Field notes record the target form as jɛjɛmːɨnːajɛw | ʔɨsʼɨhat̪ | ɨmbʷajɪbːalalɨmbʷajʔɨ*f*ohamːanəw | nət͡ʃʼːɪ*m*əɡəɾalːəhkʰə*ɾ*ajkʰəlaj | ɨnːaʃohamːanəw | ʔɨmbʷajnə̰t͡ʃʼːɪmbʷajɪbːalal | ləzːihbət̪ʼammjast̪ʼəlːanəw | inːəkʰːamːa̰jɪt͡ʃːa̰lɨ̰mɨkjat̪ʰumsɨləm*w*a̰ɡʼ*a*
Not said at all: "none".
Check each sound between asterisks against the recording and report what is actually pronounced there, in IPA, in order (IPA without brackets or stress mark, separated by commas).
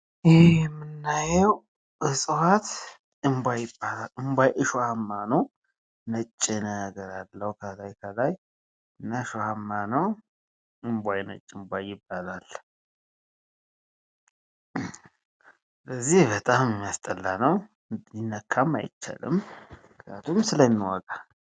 ʃ, n, l, w, a